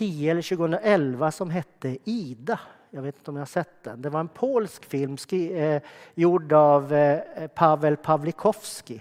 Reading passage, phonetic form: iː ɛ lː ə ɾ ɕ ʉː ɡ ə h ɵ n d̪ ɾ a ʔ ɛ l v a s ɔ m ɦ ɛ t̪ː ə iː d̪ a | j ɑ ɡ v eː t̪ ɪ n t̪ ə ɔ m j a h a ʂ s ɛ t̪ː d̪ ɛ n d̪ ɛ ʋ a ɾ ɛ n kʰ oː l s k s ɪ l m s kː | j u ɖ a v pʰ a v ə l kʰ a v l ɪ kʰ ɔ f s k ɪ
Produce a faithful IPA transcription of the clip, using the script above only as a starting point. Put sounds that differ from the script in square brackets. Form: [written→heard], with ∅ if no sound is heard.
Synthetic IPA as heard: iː ɛ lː ə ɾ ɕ ʉː ɡ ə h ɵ n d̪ ɾ a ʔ ɛ l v a s ɔ m ɦ ɛ t̪ː ə iː d̪ a | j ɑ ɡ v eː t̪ ɪ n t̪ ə ɔ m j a h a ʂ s ɛ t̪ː d̪ ɛ n d̪ ɛ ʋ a ɾ ɛ n [kʰ→pʰ] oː l s k [s→f] ɪ l m s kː | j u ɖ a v pʰ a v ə l [kʰ→pʰ] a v l ɪ kʰ ɔ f s k ɪ